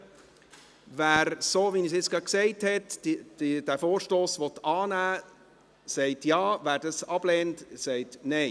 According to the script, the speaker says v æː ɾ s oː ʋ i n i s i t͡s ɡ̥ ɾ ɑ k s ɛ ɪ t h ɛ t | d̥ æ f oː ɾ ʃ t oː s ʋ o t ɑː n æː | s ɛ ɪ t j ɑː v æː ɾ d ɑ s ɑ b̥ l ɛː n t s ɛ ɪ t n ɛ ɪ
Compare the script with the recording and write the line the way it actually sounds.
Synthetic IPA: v æː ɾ s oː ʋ i n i s ɪ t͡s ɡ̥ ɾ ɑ k s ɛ ɪ t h ɛ t | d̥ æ f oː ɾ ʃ t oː s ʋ ɔ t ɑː n æː | s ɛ ɪ t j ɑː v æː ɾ d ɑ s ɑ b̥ l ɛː n t s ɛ ɪ t n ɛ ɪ